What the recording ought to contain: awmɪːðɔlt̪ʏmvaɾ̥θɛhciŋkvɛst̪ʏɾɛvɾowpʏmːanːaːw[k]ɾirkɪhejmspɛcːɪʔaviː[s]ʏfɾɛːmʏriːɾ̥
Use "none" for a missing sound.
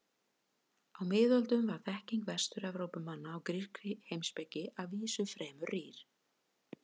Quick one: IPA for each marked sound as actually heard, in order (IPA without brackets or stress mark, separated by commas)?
k, s